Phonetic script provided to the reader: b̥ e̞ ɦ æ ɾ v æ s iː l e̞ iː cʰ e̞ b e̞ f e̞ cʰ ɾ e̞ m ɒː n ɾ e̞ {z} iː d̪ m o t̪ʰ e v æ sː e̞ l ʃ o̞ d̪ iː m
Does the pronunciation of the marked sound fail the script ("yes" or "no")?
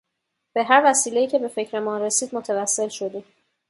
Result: yes